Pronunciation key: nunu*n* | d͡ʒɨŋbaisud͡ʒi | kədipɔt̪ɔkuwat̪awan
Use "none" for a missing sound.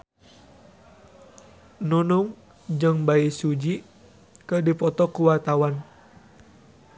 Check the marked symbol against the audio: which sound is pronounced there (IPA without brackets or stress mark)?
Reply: ŋ